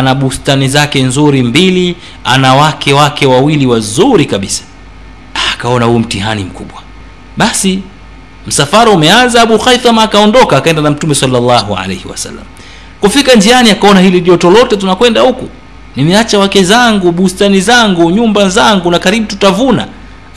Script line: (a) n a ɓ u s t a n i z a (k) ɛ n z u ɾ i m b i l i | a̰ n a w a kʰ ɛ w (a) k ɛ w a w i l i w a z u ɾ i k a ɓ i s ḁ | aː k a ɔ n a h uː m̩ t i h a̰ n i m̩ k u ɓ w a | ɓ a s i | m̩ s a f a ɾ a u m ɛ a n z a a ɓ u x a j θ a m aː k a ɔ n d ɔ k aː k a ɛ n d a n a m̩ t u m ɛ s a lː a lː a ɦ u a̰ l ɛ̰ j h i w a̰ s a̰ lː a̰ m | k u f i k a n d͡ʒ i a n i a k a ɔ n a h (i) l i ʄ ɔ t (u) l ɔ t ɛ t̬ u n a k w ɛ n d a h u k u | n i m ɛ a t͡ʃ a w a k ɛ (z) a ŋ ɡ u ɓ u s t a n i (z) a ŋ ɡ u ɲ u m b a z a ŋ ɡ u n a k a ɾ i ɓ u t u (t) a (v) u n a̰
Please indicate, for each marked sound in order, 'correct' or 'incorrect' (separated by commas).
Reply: correct, correct, correct, correct, incorrect, correct, correct, correct, correct